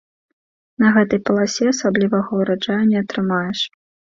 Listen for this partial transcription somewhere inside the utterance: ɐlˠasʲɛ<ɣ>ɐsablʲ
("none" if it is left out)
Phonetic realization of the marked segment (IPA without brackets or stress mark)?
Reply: none